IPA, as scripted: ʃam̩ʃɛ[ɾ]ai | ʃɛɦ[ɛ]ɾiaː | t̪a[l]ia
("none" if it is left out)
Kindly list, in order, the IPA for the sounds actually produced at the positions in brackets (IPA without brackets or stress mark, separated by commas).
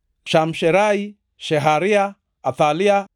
ɾ, a, l